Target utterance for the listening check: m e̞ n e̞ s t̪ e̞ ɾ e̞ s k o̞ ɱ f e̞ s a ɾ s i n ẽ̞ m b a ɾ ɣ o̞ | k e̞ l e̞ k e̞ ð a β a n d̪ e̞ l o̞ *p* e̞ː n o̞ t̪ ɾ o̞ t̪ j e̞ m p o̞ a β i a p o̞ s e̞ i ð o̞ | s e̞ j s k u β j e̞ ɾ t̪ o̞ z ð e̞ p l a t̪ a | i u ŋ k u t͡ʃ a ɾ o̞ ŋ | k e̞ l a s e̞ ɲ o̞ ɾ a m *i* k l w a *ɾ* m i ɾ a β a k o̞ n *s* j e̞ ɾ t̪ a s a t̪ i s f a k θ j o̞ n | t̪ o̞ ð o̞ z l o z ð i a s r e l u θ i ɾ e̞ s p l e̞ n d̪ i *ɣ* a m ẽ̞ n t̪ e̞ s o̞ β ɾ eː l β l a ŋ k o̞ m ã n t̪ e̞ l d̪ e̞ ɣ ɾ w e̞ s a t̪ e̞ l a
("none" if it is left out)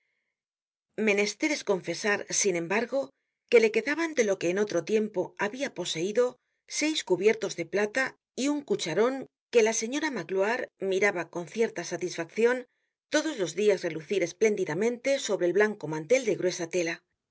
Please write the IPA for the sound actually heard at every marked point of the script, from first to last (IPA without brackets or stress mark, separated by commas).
k, a, ɾ, θ, ð